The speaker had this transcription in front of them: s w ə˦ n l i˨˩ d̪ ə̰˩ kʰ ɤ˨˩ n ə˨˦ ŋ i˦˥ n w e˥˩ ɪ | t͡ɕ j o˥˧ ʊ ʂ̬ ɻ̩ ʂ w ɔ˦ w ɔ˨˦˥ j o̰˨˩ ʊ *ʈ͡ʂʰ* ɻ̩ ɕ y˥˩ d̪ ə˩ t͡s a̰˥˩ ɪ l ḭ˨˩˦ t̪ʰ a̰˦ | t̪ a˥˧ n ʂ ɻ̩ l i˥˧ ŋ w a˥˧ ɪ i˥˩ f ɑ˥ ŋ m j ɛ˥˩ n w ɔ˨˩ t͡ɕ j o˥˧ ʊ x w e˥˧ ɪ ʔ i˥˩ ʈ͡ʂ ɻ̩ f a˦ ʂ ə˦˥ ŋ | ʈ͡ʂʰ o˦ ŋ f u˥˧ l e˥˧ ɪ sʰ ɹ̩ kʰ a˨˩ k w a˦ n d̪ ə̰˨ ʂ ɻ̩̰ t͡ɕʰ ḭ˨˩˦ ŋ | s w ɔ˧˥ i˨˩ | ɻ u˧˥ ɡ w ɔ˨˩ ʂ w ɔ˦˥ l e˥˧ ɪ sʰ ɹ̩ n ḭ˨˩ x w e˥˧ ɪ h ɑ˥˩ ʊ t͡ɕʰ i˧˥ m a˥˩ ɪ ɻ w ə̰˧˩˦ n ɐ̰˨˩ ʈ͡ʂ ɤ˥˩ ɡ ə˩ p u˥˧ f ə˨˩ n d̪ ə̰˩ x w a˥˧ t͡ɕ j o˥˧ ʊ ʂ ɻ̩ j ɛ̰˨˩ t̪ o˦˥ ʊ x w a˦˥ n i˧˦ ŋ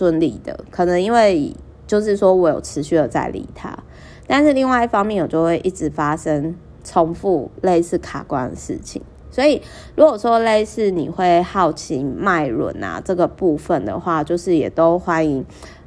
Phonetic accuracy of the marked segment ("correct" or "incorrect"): correct